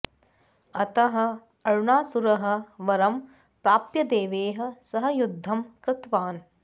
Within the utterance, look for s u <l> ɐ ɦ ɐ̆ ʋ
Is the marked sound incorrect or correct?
incorrect